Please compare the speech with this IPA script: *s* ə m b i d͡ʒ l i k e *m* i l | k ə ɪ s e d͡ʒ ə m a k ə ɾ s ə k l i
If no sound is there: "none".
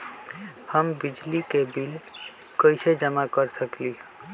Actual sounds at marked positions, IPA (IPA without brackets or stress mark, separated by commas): h, b